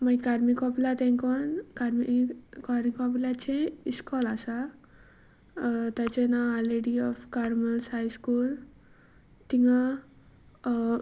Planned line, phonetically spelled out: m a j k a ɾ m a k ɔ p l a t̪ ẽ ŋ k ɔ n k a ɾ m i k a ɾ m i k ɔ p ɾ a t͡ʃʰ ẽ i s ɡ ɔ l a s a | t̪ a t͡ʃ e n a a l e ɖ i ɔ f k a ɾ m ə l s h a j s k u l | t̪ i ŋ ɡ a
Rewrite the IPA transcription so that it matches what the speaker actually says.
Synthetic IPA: m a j k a ɾ m i k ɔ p l a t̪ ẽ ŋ k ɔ n k a ɾ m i k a ɾ m i k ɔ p l a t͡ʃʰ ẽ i s k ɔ l a s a | t̪ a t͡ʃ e n a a l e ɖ i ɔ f k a ɾ m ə l s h a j s k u l | t̪ i ŋ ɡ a